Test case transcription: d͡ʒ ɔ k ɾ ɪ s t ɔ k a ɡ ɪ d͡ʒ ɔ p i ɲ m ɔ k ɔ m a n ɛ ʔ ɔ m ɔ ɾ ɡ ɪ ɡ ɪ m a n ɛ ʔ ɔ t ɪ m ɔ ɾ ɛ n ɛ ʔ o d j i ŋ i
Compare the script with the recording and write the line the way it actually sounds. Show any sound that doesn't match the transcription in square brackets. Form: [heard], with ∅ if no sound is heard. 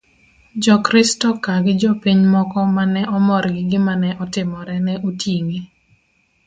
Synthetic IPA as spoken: d͡ʒ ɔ k ɾ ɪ s t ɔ k a ɡ ɪ d͡ʒ ɔ p i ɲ m ɔ k ɔ m a n ɛ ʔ ɔ m ɔ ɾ ɡ ɪ ɡ ɪ m a n ɛ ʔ ɔ t ɪ m ɔ ɾ ɛ n ɛ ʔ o [t] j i ŋ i